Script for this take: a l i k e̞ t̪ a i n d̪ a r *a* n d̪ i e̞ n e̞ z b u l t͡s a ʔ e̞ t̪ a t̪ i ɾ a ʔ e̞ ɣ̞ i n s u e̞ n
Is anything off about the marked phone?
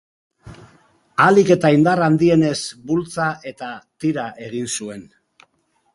no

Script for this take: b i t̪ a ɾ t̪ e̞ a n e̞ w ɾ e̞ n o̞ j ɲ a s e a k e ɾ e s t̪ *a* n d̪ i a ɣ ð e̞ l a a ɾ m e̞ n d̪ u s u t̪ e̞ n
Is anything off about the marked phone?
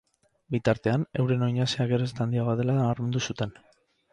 no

